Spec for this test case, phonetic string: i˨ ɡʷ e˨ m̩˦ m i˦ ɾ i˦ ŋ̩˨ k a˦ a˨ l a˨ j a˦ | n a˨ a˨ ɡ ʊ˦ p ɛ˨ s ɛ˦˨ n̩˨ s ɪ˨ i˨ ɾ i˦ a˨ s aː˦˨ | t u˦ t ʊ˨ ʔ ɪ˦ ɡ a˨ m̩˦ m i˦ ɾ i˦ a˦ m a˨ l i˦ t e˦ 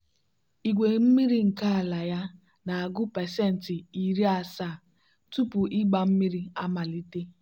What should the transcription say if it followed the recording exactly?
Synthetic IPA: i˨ ɡʷ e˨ m̩˦ m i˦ ɾ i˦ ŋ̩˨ k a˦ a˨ l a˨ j a˦ | n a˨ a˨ ɡ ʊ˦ p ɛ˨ s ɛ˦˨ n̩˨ t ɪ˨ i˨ ɾ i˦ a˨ s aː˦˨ | t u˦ p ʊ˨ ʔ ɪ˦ ɡ͡b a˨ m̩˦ m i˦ ɾ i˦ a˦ m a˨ l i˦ t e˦